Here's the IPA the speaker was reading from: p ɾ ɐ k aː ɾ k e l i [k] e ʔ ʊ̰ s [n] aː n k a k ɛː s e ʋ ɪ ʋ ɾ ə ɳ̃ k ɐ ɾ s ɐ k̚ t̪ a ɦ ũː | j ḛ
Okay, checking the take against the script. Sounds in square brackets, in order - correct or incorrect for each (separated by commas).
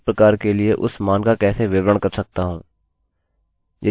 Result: incorrect, incorrect